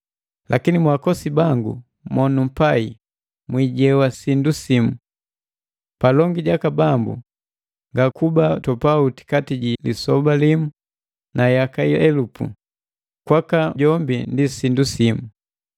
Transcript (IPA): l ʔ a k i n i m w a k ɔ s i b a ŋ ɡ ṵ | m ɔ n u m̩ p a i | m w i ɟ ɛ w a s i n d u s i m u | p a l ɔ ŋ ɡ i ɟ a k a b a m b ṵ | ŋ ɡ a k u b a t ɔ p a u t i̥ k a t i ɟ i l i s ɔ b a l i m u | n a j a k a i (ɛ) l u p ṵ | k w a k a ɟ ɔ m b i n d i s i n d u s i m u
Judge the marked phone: correct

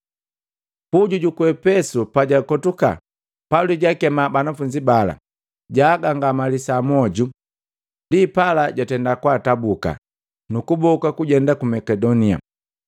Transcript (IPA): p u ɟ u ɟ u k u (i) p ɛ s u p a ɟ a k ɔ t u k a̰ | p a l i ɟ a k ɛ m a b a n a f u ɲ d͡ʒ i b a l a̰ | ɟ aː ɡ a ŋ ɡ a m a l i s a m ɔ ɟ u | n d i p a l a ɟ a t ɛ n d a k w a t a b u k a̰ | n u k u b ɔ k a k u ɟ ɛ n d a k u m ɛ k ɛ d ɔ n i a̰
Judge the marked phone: incorrect: ɛ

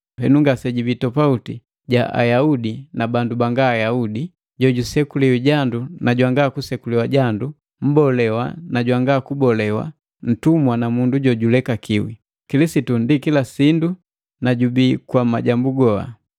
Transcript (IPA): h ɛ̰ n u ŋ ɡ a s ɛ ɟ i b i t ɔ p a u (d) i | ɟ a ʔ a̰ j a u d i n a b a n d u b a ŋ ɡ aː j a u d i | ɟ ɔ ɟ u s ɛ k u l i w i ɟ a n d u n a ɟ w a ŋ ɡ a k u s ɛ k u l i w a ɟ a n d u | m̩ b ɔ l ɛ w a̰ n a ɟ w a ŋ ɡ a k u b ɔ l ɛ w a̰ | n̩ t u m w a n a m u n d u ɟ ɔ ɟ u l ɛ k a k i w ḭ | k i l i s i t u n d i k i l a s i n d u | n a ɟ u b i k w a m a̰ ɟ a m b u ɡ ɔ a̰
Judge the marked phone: incorrect: t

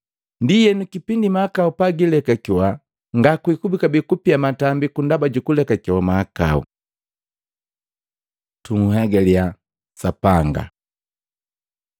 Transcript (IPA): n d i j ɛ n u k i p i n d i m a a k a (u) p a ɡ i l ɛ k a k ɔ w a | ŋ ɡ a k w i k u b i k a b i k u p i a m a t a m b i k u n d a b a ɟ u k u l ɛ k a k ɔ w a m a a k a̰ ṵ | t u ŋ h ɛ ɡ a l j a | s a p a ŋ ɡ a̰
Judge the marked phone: correct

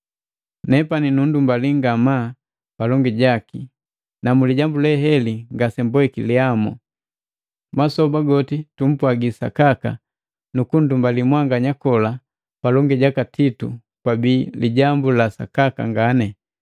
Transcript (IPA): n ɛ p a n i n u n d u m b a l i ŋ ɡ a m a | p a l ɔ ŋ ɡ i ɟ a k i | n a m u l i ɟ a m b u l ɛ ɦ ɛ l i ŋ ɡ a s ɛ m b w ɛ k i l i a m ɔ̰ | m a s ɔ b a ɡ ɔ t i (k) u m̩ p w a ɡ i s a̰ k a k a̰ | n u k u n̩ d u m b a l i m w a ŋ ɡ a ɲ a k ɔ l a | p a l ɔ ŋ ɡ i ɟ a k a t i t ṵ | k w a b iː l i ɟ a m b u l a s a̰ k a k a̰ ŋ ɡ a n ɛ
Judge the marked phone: incorrect: t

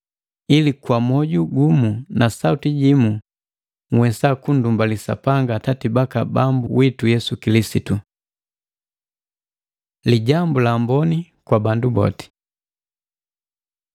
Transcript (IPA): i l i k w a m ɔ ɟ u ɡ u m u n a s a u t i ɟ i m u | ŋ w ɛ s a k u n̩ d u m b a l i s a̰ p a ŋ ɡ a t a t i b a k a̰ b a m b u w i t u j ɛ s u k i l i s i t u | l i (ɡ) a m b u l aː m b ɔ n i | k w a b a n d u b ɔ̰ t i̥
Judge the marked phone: incorrect: ɟ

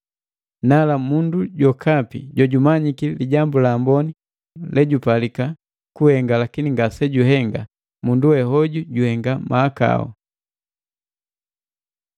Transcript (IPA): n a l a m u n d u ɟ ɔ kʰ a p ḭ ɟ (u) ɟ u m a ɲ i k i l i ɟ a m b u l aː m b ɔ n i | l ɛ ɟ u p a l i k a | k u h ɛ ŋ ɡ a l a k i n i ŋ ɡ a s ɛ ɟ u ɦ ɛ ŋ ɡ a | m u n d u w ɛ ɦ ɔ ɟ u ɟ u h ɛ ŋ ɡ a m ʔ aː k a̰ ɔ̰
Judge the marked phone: incorrect: ɔ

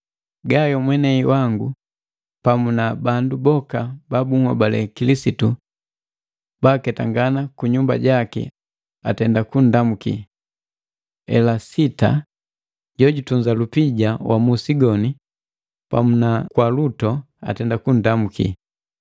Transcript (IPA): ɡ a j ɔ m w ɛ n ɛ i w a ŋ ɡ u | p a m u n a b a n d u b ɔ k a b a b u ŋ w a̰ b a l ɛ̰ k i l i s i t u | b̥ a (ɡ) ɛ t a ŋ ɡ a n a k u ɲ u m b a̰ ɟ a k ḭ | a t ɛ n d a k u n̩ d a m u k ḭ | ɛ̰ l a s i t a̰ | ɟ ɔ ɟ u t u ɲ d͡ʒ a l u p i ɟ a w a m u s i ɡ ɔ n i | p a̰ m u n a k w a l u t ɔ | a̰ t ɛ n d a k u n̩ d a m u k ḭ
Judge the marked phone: incorrect: k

